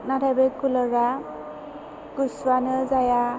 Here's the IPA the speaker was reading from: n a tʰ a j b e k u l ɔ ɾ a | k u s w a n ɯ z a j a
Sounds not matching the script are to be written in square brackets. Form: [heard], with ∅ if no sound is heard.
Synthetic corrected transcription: n a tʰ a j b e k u l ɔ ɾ a | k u s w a n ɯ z a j a

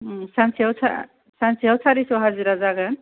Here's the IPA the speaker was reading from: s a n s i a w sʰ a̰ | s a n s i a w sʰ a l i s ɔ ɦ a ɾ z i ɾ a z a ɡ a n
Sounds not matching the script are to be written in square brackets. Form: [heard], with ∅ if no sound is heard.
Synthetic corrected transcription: s a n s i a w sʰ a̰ | s a n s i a w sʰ a [ɾ] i s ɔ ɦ a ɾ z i ɾ a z a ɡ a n

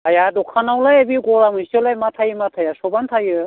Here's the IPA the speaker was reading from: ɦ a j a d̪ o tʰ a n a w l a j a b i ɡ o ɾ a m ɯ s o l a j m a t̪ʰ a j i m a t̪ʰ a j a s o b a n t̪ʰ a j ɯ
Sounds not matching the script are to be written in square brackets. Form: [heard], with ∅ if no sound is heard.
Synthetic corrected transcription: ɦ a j a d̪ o [kʰ] a n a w l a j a b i ɡ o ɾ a m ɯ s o l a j m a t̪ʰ a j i m a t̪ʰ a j a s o b a n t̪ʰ a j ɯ

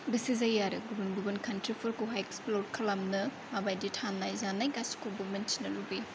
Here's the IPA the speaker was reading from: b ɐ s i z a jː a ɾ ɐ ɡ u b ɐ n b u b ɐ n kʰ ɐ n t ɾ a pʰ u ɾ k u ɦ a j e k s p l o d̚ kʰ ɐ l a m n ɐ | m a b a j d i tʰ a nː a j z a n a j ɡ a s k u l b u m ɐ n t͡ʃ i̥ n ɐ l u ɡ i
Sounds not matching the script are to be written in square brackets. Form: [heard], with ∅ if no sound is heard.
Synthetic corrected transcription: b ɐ s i z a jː a ɾ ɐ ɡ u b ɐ n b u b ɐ n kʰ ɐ n t ɾ [i] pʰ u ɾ k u ɦ a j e k s p l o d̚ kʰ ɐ l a m n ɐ | m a b a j d i tʰ a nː a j z a n a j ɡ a s k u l b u m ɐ n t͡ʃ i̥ n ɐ l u [b] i

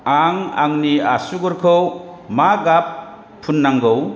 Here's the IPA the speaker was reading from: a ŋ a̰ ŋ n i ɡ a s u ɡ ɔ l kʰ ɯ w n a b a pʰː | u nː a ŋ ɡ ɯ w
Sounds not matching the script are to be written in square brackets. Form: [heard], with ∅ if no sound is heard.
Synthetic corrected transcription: a ŋ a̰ ŋ n i [∅] a s u ɡ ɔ [ɾ] kʰ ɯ w [m] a [ɡ] a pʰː | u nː a ŋ ɡ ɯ w

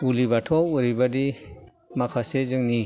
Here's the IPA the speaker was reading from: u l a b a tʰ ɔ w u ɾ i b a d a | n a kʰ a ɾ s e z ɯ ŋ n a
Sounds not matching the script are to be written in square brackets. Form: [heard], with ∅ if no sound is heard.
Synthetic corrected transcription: u l [i] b a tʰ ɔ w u ɾ i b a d [i] | [m] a kʰ a [∅] s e z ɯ ŋ n [i]

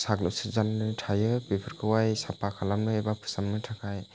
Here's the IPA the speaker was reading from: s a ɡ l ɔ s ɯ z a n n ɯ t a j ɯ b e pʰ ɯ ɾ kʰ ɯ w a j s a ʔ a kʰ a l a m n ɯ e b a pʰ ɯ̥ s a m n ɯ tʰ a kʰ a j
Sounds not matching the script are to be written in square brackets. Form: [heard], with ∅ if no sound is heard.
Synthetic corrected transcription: s a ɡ l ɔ s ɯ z a n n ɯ [tʰ] a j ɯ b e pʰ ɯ ɾ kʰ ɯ w a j s a [p] a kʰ a l a m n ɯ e b a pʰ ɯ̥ s a m n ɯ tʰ a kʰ a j

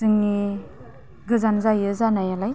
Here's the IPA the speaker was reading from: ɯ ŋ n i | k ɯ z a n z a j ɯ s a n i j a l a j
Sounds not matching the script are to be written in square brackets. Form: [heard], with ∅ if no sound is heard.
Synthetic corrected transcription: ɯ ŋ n i | [ɡ] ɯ z a n z a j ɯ [z] a n [a] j a l a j

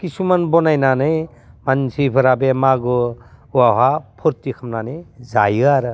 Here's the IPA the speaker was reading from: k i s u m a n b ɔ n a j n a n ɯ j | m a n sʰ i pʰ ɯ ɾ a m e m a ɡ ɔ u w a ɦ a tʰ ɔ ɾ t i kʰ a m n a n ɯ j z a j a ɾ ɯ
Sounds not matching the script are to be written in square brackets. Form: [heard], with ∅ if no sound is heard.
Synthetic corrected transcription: k i s u m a n b ɔ n a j n a n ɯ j | m a n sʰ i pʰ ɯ ɾ a [b] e m a ɡ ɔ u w a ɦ a [pʰ] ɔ ɾ t i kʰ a m n a n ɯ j z a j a ɾ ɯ

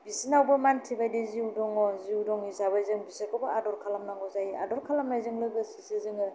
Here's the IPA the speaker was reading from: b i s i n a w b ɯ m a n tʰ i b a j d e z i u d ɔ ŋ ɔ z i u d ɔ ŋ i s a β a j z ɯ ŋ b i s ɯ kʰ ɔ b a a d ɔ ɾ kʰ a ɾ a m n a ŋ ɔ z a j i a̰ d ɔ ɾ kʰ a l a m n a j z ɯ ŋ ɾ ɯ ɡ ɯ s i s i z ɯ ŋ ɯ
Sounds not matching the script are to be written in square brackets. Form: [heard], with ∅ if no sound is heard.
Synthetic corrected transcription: b i s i n a w b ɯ m a n tʰ i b a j d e z i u d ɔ ŋ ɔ z i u d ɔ ŋ i s a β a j z ɯ ŋ b i s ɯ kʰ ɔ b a a d ɔ ɾ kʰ a [l] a m n a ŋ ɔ z a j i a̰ d ɔ ɾ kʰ a l a m n a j z ɯ ŋ [l] ɯ ɡ ɯ s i s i z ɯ ŋ ɯ

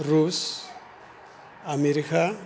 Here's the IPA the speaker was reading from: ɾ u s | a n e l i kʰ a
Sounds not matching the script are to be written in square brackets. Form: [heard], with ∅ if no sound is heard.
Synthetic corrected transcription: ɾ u s | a [m] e [ɾ] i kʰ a

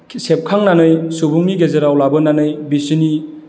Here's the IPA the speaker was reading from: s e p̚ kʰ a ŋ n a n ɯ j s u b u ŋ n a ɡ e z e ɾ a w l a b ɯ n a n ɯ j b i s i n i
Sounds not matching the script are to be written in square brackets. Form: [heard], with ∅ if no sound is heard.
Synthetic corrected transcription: s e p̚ kʰ a ŋ n a n ɯ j s u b u ŋ n [i] ɡ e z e ɾ a w l a b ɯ n a n ɯ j b i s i n i

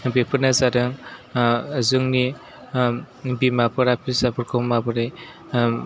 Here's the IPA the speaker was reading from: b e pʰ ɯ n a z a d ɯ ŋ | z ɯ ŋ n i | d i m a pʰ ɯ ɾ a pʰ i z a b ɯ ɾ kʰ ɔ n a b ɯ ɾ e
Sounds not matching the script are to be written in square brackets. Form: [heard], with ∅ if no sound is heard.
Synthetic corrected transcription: b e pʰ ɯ n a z a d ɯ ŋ | z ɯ ŋ n i | [b] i m a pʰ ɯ ɾ a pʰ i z a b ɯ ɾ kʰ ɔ [m] a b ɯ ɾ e

